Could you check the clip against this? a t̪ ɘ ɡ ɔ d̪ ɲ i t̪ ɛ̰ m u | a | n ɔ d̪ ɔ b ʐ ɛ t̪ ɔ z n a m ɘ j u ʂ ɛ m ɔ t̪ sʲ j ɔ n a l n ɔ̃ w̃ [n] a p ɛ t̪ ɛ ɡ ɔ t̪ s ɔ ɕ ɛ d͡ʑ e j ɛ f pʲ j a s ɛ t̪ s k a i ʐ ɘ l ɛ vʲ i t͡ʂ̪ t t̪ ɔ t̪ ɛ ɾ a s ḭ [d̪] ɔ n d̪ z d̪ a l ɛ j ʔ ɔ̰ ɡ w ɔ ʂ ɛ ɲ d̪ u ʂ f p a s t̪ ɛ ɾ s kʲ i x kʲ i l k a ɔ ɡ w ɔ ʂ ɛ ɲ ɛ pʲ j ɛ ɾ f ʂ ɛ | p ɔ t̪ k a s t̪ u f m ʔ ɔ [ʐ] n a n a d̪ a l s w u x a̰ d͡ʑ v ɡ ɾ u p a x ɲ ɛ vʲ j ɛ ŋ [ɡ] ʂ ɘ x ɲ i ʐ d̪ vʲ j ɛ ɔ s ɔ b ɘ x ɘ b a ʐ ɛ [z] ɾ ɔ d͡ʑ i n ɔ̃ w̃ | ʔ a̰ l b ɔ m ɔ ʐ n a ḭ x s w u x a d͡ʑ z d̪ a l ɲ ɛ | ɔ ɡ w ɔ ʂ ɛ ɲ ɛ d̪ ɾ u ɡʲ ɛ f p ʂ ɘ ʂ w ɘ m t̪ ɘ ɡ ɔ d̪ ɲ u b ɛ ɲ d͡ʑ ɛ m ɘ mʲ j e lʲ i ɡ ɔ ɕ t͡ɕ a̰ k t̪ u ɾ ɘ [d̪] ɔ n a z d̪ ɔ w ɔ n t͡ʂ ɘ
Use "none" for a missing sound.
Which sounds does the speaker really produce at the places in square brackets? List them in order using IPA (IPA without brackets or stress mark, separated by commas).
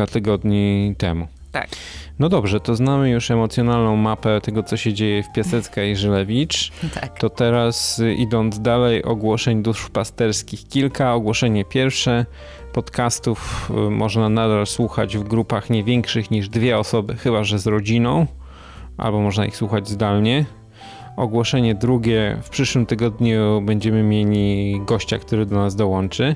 m, d̪, ʐ, k, z, d̪